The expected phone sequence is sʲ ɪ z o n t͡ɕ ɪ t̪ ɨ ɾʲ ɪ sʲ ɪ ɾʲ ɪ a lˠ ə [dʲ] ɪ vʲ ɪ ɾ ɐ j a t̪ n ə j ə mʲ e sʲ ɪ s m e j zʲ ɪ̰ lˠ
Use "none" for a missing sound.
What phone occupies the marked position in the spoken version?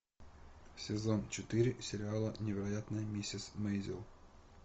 nʲ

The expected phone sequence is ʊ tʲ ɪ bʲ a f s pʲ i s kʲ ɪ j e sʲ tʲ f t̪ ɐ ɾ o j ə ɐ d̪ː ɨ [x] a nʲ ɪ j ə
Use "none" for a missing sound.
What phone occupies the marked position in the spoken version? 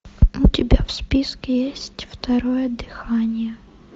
x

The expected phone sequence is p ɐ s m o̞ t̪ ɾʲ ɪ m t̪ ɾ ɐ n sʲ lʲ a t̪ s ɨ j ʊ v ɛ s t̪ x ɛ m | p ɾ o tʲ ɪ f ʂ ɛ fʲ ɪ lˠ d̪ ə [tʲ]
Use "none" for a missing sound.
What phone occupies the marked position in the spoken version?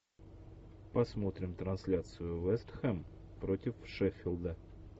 none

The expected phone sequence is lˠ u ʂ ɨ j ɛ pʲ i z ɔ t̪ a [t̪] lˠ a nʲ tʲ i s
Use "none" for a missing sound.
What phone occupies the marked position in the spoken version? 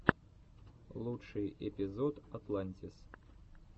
t̪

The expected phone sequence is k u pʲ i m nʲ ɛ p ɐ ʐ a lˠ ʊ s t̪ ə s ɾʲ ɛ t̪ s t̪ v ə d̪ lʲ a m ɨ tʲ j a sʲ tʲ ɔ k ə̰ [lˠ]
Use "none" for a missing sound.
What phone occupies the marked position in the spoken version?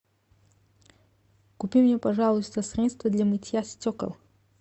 lˠ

